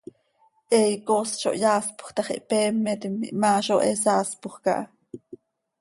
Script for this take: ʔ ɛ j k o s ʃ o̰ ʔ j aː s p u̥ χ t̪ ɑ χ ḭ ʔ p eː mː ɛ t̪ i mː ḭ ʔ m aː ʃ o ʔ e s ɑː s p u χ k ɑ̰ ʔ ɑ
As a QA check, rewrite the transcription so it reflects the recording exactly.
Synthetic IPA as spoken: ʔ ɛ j k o s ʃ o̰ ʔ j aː s p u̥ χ t̪ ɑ χ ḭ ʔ p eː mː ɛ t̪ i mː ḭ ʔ m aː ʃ o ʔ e s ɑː s p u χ k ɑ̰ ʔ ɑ

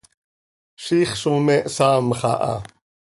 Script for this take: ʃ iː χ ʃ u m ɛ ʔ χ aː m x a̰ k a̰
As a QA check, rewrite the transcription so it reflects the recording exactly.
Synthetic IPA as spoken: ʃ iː χ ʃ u m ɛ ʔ s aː m χ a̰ ʔ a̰

